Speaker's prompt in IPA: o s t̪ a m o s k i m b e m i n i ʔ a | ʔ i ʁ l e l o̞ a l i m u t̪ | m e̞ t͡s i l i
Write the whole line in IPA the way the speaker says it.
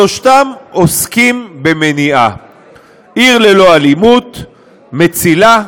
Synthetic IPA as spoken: o ʃ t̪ a m o s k i m b e m e n i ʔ a | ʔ i ʁ l e l o̞ a l i m u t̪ | m e̞ t͡s i l a